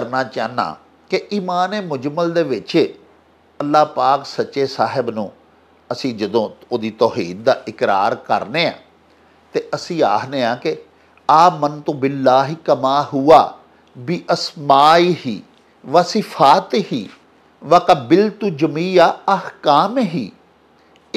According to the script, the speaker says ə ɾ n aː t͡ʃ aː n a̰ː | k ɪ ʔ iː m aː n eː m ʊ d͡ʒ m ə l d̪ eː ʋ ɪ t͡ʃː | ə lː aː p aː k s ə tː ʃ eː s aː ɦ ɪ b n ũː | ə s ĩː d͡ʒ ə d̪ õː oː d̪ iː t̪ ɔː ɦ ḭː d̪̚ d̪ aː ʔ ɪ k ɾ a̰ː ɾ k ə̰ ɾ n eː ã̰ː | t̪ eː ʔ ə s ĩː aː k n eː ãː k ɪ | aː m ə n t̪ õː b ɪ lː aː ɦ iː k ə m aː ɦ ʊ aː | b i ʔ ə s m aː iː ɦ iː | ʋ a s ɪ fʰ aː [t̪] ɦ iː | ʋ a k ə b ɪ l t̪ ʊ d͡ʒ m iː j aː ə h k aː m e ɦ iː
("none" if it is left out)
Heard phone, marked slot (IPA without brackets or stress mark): t̪